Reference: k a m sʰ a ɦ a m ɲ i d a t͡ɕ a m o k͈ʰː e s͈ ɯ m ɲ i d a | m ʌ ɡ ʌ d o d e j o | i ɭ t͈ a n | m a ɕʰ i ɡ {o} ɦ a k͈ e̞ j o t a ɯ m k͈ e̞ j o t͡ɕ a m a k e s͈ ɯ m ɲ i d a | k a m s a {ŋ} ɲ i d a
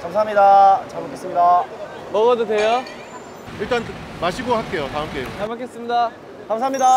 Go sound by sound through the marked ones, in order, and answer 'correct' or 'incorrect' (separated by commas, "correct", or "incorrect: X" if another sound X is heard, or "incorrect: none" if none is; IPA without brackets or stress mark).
correct, incorrect: m